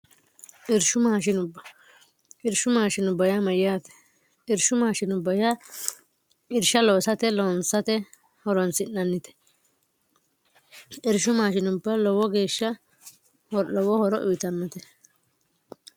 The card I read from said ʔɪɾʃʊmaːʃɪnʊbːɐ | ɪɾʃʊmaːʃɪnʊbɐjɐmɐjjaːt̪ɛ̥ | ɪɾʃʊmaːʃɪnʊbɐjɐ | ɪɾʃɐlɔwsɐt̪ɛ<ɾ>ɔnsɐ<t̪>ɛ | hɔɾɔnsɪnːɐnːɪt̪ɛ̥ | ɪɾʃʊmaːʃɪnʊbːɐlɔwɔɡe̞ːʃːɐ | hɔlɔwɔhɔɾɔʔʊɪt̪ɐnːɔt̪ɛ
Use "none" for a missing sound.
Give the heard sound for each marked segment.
l, t̪

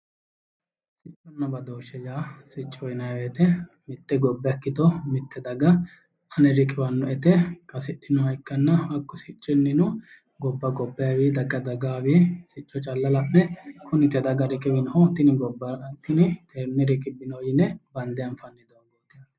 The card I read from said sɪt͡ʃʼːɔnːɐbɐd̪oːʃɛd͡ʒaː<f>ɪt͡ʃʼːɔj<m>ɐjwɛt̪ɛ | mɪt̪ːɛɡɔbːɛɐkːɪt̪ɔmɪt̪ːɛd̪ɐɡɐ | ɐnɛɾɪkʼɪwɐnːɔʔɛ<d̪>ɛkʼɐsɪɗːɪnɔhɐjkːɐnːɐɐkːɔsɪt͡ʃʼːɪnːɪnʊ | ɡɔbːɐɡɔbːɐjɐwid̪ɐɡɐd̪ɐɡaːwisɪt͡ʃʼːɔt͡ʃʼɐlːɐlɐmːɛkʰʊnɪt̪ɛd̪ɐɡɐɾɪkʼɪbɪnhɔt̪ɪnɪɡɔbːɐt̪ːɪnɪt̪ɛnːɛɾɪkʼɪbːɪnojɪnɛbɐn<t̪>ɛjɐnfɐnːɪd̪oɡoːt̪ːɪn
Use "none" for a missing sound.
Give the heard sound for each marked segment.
s, n, t̪, d̪

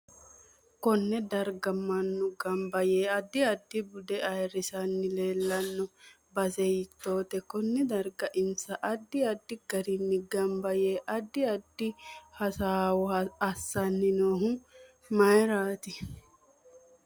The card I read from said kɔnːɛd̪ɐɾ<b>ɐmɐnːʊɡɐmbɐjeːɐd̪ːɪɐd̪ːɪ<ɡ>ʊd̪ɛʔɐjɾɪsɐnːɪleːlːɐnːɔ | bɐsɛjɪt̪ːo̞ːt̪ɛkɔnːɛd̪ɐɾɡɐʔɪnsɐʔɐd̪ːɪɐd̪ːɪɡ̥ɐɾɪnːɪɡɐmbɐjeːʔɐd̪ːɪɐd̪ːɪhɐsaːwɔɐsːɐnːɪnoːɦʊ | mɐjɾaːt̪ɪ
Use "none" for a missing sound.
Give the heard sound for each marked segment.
ɡ, b

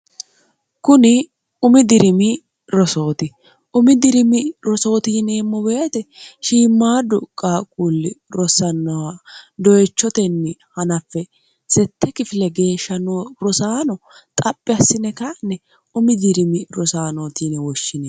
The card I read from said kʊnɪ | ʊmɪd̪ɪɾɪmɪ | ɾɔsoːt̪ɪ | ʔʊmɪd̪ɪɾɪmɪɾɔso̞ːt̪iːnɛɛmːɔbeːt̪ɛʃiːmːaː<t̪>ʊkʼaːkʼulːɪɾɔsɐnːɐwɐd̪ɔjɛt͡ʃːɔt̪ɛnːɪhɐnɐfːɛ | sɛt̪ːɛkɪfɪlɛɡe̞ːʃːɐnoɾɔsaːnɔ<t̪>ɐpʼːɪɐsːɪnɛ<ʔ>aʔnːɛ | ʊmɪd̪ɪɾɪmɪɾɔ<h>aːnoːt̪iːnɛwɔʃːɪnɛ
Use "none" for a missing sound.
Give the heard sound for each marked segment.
d̪, t̪ʼ, k, s

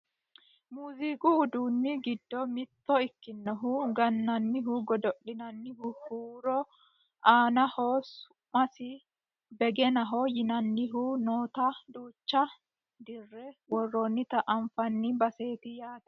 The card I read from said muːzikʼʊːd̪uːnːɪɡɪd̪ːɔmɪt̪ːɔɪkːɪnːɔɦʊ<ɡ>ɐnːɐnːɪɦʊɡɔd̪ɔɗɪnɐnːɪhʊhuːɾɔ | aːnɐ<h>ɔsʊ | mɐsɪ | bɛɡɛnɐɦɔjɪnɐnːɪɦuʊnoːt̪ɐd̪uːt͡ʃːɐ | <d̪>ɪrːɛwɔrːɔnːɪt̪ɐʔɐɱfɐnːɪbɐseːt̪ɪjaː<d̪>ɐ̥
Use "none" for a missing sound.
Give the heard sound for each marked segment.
ɡ, h, d̪, t̪

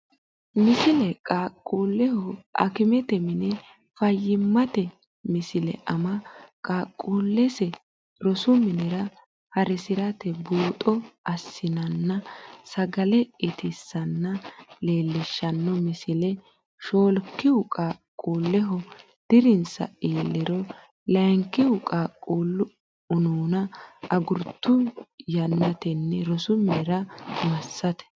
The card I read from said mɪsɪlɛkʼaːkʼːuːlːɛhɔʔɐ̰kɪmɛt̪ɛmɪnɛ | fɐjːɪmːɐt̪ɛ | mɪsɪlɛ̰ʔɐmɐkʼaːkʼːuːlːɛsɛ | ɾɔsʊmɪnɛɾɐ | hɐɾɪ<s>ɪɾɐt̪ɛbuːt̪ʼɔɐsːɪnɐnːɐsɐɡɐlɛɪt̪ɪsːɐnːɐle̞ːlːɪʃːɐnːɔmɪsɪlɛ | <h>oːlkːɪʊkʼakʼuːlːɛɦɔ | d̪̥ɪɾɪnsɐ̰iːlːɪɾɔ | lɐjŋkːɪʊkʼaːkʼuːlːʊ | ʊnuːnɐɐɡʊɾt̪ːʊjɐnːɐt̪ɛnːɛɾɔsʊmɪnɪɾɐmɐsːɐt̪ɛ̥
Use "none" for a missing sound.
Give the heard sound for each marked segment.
s, ʃ

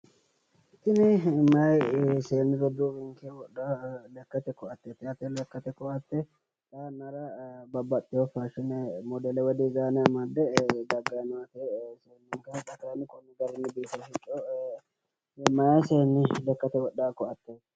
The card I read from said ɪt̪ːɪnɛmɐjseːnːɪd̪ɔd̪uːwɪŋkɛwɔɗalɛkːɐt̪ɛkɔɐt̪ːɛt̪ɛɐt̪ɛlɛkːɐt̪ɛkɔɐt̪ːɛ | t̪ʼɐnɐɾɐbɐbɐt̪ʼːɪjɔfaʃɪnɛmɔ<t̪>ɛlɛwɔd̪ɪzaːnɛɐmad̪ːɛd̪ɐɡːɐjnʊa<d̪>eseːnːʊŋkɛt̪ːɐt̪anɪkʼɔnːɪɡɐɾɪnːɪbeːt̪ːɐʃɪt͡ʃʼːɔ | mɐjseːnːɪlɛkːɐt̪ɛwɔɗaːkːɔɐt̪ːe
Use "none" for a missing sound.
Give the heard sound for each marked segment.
d̪, t̪

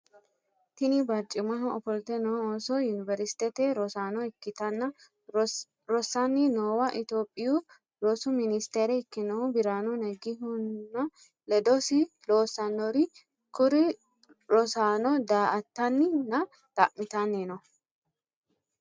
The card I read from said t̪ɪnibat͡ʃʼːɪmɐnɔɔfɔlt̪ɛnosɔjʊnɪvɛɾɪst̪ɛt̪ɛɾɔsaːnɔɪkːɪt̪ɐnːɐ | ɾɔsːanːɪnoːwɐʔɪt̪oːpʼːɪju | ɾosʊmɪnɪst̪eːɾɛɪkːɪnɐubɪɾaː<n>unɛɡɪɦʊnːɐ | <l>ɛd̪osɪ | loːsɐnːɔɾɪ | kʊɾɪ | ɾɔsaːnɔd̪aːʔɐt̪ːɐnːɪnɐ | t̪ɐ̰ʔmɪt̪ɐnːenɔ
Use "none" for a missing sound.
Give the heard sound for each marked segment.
n, l

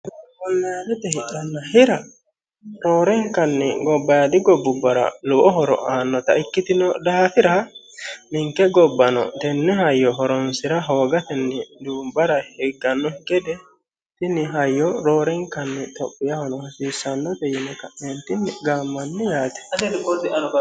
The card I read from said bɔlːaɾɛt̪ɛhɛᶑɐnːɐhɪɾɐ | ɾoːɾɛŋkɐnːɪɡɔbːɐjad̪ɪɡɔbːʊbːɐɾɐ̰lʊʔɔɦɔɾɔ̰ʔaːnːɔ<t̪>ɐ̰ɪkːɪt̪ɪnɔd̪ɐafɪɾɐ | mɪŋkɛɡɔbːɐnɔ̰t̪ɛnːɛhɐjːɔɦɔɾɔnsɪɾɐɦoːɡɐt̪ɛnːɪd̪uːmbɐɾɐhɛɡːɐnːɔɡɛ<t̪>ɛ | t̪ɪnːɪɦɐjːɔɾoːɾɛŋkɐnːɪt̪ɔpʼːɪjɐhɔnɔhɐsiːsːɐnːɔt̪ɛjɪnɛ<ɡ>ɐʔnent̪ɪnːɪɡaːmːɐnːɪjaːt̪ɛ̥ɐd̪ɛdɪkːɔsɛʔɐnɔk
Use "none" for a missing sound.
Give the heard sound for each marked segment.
t̪, d̪, k

